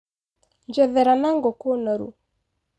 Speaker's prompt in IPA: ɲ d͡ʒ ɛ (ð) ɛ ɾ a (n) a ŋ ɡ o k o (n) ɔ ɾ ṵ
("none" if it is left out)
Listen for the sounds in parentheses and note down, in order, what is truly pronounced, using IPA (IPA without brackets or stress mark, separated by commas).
ð, n, n